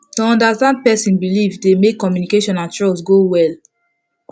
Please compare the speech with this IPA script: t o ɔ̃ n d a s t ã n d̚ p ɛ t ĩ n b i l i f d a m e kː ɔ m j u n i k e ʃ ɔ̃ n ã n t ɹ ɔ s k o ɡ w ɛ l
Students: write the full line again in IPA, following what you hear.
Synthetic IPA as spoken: t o ɔ̃ n d a s t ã n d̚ p ɛ s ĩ n b i l i v d e m e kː ɔ m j u n i k e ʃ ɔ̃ n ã n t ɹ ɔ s ɡ o w ɛ l